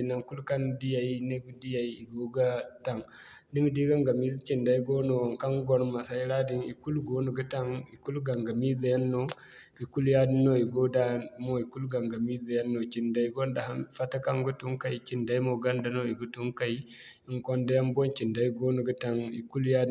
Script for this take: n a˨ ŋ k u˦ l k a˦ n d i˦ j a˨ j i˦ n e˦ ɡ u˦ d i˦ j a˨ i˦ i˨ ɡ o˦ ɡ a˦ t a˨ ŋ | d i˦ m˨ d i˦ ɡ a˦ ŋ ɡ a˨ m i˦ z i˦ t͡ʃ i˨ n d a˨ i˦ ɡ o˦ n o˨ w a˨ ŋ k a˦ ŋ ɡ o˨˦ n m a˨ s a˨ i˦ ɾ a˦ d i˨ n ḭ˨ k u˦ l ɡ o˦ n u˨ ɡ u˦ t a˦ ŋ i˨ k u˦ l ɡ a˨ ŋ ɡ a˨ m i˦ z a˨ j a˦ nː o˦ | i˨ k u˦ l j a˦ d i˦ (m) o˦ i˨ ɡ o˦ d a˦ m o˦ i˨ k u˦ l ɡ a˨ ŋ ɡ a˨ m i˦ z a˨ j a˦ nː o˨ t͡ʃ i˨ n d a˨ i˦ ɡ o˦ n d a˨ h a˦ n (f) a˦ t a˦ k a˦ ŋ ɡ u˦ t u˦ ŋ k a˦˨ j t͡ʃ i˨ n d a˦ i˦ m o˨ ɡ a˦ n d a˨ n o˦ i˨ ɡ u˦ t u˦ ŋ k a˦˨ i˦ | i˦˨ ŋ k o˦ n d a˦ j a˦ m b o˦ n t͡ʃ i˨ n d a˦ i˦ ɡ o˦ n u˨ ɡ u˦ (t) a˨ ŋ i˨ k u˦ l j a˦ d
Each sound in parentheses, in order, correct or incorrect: incorrect, correct, correct

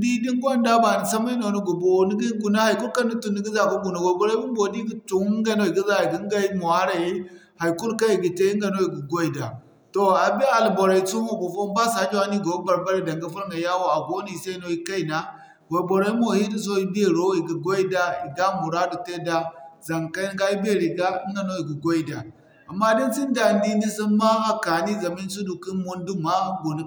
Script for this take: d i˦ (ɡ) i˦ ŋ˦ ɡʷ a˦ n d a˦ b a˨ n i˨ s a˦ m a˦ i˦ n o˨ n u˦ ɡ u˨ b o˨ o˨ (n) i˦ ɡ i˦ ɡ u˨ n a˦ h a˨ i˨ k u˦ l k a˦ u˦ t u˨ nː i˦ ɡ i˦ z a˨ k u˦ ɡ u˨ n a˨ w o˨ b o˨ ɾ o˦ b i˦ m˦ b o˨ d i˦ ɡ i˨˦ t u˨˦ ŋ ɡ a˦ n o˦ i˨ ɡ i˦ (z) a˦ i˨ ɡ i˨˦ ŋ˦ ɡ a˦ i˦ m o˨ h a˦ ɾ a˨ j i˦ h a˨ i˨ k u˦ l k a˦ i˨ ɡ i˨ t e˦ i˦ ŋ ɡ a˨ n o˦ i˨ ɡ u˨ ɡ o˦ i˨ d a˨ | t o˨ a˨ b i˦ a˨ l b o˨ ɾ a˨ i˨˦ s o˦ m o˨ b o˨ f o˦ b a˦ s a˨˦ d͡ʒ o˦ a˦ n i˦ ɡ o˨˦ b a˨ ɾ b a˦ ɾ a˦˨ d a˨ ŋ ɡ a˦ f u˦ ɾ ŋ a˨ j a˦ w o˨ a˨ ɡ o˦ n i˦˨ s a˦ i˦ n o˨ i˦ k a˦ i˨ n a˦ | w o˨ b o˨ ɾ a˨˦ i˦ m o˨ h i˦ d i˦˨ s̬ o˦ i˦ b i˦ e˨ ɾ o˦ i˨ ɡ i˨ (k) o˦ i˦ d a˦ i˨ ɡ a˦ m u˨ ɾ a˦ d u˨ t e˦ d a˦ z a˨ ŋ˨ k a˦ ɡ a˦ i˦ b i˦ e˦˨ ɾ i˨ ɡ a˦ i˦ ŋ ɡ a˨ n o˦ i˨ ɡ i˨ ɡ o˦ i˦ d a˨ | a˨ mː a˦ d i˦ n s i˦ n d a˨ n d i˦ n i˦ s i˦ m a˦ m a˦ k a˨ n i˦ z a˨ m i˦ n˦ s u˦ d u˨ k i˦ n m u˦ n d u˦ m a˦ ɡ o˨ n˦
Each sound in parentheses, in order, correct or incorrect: incorrect, correct, correct, incorrect

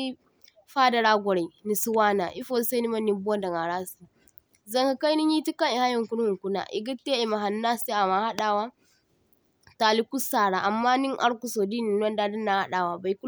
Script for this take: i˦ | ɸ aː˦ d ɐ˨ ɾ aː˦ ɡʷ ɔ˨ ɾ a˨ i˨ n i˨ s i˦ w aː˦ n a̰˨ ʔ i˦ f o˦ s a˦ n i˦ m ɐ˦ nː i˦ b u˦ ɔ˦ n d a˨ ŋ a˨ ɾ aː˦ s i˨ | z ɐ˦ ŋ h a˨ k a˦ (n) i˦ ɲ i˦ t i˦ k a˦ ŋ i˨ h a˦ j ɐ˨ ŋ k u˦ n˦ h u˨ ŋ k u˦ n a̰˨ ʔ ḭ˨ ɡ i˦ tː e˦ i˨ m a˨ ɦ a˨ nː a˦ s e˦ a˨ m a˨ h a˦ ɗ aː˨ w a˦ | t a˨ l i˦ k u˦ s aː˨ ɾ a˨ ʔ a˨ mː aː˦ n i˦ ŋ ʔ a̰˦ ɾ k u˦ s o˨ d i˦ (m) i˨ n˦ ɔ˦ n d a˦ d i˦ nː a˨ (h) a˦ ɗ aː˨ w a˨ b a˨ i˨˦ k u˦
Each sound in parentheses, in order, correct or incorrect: correct, incorrect, correct

